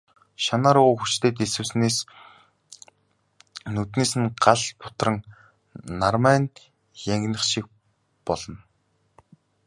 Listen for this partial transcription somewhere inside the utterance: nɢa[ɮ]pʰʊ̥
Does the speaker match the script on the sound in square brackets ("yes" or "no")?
yes